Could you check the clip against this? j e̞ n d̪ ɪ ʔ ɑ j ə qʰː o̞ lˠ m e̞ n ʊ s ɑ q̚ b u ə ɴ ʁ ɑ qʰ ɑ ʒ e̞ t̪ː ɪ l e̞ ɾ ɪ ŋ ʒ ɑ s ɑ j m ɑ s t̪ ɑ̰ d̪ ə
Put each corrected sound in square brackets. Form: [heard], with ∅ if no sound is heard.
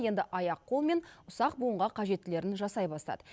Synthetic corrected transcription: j e̞ n d̪ ɪ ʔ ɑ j [ɑ] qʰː o̞ lˠ m e̞ n ʊ s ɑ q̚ b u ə ɴ ʁ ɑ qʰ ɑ ʒ e̞ t̪ː ɪ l e̞ ɾ ɪ [n] ʒ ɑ s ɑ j [b] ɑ s t̪ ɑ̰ d̪ ə